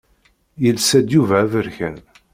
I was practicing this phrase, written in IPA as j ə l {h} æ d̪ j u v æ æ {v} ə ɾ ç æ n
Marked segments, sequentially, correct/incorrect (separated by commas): incorrect, correct